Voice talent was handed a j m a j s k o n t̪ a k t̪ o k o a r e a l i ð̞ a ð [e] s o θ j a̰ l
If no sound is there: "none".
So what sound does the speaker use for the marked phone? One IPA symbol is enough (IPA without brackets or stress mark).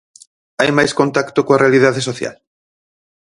e